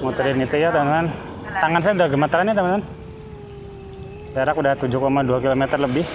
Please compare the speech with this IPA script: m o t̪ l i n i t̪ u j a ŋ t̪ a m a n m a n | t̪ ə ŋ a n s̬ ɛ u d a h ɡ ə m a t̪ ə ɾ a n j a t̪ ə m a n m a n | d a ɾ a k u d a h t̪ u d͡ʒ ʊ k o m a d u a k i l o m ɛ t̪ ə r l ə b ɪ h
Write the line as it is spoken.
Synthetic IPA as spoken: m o t̪ ɾ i n i t̪ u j a t̪ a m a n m a n | t̪ a ŋ a n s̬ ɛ u d a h ɡ ə m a t̪ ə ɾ a n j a t̪ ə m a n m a n | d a ɾ a k u d a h t̪ u d͡ʒ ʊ k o m a d u a k i l o m ɛ t̪ ə r l ə b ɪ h